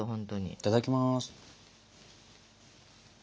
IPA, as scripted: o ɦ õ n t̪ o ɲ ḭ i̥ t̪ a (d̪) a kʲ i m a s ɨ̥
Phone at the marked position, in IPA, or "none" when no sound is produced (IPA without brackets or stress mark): d̪